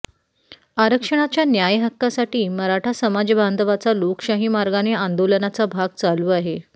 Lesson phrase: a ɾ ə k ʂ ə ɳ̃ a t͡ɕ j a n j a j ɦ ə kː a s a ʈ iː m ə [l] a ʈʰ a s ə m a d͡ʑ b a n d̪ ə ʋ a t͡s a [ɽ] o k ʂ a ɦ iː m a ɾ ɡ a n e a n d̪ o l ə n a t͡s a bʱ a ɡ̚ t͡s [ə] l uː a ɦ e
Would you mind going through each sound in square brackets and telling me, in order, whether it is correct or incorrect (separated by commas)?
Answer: incorrect, incorrect, incorrect